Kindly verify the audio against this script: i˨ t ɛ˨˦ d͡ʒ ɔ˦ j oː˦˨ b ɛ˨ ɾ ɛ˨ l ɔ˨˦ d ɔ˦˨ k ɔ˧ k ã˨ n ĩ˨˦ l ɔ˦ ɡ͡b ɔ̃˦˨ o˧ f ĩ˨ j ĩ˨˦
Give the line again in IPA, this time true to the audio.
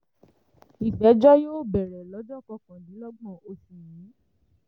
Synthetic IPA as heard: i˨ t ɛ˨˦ d͡ʒ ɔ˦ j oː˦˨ b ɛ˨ ɾ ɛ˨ l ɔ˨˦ d͡ʒ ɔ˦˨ k ɔ˧ k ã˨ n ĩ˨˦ l ɔ˦ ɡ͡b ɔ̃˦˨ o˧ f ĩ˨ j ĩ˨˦